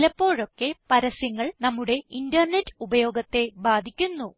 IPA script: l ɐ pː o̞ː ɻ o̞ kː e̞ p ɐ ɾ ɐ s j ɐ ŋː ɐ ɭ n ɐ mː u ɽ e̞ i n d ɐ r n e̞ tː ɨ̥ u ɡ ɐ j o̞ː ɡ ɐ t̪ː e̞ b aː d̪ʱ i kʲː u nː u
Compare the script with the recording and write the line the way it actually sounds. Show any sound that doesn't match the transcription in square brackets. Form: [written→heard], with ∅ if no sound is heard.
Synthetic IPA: l ɐ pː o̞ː ɻ o̞ kː e̞ p ɐ ɾ ɐ s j ɐ ŋː ɐ ɭ n ɐ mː u ɽ e̞ i n d ɐ r n e̞ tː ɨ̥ u [ɡ→b] ɐ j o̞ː ɡ ɐ t̪ː e̞ b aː d̪ʱ i kʲː u nː u